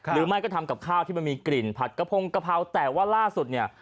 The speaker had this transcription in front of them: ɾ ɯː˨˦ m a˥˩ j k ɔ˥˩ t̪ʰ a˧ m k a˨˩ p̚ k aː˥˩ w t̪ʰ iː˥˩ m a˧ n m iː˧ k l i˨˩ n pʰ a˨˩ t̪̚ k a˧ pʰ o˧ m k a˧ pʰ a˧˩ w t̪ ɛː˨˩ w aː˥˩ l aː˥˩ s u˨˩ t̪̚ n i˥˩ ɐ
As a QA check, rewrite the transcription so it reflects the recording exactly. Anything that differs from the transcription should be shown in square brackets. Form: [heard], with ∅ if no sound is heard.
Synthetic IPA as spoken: ɾ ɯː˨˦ m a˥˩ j k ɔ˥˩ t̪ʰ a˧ m k a˨˩ p̚ [kʰ] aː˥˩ w t̪ʰ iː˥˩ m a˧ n m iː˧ k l i˨˩ n pʰ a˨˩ t̪̚ k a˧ pʰ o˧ [ŋ] k a˧ pʰ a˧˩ w t̪ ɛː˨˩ w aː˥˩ l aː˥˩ s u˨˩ t̪̚ n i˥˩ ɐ